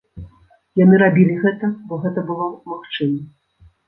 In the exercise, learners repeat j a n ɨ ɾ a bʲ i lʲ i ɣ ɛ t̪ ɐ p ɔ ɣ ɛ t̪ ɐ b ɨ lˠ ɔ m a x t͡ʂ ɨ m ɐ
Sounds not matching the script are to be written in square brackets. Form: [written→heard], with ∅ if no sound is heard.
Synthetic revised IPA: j a n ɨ ɾ a bʲ i lʲ i ɣ ɛ t̪ ɐ [p→b] ɔ ɣ ɛ t̪ ɐ b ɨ lˠ ɔ m a x t͡ʂ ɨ m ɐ